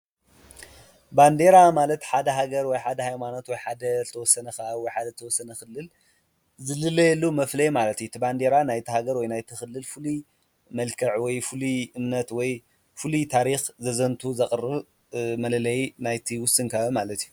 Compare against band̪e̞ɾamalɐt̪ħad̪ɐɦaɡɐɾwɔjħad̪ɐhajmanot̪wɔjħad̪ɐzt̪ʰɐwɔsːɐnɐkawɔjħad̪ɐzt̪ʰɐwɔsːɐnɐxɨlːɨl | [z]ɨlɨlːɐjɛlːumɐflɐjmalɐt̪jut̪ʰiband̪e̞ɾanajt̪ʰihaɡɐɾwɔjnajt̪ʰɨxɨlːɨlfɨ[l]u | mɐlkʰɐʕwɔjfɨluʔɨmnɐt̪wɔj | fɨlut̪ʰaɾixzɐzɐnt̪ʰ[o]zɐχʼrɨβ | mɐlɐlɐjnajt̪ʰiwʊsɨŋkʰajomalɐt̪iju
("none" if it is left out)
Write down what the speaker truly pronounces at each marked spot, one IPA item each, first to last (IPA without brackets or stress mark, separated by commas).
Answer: z, l, u